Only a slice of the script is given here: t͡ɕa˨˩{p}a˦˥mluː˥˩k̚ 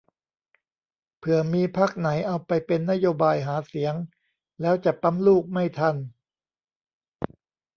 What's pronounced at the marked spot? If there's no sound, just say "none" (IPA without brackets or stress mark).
p